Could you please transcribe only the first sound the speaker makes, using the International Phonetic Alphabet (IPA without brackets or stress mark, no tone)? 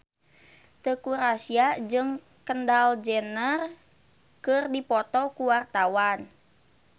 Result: t̪